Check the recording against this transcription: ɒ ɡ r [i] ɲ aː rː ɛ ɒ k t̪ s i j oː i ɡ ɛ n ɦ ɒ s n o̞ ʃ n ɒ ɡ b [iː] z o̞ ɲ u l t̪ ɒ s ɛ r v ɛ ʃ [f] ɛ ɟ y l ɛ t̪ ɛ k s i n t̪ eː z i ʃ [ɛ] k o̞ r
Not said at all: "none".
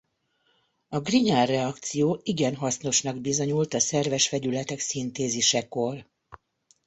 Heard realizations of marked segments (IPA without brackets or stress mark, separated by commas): i, i, f, ɛ